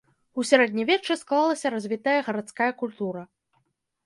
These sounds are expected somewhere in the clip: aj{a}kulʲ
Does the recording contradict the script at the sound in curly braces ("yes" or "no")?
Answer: yes